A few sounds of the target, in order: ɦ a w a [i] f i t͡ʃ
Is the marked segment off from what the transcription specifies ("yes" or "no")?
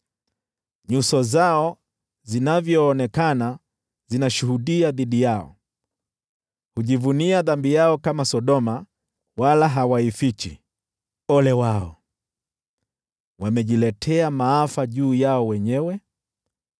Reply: no